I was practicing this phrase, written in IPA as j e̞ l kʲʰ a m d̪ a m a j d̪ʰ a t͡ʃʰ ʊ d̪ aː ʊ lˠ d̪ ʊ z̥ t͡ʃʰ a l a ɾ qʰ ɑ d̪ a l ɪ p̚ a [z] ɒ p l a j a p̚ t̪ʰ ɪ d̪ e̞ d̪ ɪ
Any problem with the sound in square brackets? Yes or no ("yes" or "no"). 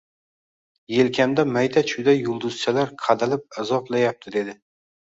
no